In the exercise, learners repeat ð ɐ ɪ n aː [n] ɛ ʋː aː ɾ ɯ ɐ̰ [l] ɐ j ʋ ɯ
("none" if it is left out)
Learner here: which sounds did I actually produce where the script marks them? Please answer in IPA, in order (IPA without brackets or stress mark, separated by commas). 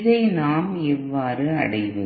m, ɽ